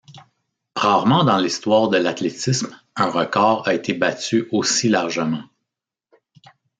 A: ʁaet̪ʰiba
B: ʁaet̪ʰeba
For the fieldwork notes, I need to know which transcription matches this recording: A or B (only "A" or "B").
B